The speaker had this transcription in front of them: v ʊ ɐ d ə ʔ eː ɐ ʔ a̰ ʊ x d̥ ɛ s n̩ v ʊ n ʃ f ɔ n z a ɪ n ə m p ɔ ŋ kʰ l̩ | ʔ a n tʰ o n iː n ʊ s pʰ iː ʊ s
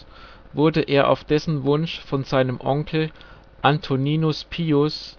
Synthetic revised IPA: v ʊ ɐ d ə ʔ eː ɐ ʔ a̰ ʊ f d̥ ɛ s n̩ v ʊ n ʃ f ɔ n z a ɪ n ə m ʔ ɔ ŋ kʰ l̩ | ʔ a n tʰ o n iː n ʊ s pʰ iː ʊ s